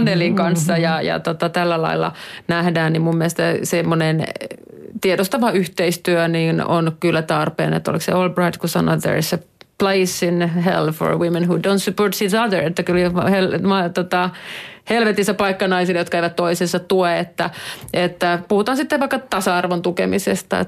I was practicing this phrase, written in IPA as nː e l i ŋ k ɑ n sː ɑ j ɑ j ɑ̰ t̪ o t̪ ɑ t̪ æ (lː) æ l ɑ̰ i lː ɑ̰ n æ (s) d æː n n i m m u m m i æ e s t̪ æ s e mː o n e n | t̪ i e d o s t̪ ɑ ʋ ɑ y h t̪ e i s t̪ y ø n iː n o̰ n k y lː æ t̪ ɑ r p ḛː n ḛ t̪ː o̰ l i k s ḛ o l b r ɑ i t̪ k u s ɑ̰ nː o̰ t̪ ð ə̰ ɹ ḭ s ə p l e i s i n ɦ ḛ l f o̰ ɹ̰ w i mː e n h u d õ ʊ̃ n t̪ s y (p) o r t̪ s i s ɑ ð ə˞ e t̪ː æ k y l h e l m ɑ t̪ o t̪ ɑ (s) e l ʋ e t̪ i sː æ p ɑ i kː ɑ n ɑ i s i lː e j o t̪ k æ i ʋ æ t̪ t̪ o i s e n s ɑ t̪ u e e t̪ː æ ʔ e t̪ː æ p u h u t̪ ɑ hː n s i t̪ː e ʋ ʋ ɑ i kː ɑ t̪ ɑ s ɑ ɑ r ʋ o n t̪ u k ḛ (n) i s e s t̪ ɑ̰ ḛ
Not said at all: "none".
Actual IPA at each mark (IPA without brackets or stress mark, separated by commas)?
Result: lː, h, p, h, m